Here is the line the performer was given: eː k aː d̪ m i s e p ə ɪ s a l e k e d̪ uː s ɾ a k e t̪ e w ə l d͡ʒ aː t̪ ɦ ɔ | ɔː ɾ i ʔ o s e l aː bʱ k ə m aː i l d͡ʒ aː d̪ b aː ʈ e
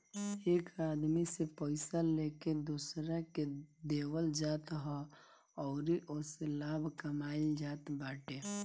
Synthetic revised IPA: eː k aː d̪ m i s e p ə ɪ s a l e k e d̪ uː s ɾ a k e d̪ e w ə l d͡ʒ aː t̪ ɦ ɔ | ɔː ɾ i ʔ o s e l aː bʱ k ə m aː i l d͡ʒ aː t̪ b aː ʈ e